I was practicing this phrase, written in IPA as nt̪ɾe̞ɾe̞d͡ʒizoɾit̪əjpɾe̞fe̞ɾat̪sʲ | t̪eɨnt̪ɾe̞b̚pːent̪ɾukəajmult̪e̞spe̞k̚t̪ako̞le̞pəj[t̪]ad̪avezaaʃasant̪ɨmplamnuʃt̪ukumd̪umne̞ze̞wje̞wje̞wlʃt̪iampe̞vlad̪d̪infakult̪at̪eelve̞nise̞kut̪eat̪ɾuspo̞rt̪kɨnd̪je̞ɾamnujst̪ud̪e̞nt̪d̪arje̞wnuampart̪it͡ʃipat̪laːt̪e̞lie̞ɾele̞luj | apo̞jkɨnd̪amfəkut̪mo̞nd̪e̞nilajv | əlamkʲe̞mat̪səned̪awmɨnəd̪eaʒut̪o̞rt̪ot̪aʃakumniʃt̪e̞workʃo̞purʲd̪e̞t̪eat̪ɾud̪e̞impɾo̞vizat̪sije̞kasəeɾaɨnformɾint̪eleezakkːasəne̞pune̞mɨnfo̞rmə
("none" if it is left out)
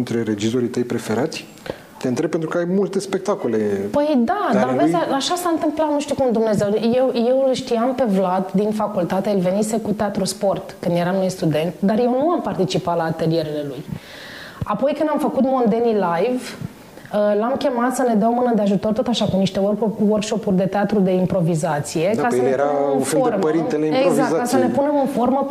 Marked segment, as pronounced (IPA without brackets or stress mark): d̪